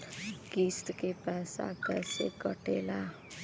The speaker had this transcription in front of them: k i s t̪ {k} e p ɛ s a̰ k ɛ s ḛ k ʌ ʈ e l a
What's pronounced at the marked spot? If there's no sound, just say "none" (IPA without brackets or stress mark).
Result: k